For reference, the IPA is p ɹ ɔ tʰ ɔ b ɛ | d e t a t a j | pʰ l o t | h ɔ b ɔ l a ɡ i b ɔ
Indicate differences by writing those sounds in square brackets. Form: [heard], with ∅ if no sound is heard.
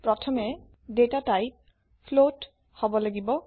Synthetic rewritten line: p ɹ ɔ tʰ ɔ [m] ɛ | d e t a t a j | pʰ l o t | h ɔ b ɔ l a ɡ i b ɔ